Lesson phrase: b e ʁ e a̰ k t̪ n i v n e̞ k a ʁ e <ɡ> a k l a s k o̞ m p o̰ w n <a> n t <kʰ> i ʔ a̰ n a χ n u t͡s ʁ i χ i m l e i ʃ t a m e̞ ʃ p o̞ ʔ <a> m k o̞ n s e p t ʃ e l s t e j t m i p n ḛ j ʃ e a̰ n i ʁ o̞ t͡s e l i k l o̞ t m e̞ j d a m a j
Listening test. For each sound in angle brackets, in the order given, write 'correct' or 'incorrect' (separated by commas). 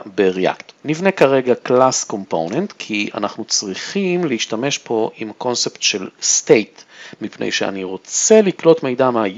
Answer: correct, incorrect, correct, incorrect